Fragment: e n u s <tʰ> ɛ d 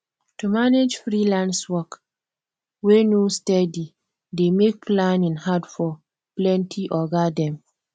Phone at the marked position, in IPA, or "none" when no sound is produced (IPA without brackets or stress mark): t